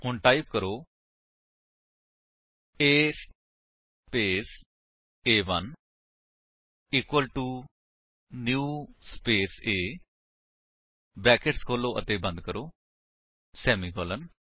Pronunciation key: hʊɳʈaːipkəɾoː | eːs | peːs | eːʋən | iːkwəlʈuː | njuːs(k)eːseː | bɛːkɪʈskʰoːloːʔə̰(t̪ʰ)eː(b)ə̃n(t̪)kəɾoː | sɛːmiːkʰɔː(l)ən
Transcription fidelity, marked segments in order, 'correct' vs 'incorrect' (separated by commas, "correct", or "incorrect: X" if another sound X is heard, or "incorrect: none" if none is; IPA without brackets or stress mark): incorrect: p, incorrect: t̪, correct, incorrect: d̪, correct